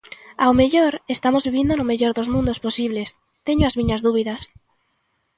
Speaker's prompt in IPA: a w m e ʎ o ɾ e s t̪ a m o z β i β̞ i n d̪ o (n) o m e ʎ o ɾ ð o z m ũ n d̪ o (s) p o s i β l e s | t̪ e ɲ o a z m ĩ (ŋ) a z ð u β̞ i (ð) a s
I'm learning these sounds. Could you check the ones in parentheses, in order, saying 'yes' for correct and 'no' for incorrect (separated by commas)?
yes, yes, no, yes